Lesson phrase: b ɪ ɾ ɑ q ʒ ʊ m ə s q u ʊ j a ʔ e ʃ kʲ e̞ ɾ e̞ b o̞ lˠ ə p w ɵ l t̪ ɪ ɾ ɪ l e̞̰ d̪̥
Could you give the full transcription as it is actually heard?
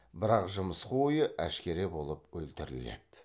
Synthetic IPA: b ɪ ɾ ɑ q ʒ ʊ m ə s q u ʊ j ə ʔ æ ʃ kʲ e̞ ɾ e̞ b o̞ lˠ ə p w ɵ l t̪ ɪ ɾ ɪ l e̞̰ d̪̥